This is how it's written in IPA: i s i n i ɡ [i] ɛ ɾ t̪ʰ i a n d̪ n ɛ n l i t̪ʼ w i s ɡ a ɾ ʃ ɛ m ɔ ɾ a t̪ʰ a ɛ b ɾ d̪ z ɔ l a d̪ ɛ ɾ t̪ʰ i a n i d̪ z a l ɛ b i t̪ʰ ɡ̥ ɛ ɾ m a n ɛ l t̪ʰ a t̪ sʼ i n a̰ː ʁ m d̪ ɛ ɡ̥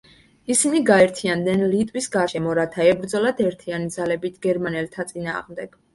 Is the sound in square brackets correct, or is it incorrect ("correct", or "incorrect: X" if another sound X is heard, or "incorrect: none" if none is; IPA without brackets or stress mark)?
incorrect: a